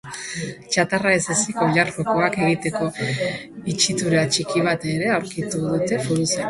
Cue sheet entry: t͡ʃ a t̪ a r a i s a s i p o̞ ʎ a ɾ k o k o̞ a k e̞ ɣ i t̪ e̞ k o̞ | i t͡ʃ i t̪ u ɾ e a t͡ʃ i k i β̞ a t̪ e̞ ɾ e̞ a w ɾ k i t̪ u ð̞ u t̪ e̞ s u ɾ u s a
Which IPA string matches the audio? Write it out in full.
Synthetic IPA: t͡ʃ a t̪ a r a e s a s i k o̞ ʎ a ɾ k o k o̞ a k e̞ ɣ i t̪ e̞ k o̞ | i t͡ʃ i t̪ u ɾ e a t͡ʃ i k i β̞ a t̪ e̞ ɾ e̞ a w ɾ k i t̪ u ð̞ u t̪ e̞ f u ɾ u s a